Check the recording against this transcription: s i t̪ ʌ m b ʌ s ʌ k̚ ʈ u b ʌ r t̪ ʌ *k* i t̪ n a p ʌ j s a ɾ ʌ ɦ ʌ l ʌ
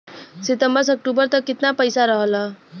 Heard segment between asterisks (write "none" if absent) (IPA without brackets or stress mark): k